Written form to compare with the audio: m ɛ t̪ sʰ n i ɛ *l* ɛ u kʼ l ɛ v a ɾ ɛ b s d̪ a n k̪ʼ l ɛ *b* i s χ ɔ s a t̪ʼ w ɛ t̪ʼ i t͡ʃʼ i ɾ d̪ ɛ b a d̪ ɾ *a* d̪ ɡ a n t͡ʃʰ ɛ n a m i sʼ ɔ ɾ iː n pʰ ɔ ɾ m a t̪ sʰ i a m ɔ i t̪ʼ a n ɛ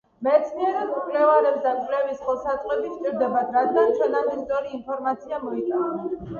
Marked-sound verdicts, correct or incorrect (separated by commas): incorrect, incorrect, correct